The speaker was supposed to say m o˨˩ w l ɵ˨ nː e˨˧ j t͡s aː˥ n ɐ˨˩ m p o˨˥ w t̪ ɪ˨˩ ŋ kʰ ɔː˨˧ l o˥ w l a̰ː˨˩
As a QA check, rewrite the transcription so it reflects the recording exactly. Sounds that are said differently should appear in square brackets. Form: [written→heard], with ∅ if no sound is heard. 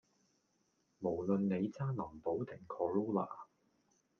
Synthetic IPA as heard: m o˨˩ w l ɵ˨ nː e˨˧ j t͡s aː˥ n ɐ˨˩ m p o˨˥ w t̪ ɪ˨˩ ŋ kʰ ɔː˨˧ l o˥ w l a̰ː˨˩